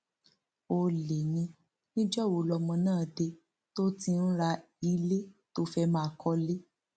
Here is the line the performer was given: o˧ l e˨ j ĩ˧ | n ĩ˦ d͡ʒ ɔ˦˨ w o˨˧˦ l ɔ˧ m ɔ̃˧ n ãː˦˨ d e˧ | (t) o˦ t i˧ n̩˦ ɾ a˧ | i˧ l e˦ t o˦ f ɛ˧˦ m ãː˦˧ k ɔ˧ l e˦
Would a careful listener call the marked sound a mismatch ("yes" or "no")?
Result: no